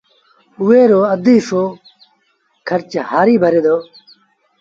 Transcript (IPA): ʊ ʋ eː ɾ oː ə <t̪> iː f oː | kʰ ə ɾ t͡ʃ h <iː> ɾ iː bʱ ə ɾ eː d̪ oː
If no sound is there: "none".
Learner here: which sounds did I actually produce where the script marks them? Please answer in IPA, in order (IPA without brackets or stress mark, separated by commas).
d̪, aː